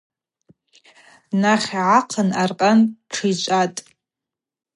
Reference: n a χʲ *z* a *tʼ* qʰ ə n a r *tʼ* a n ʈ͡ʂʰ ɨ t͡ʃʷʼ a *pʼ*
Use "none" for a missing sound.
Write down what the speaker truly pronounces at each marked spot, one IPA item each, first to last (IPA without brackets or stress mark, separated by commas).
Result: ʕ, none, qʼ, tʼ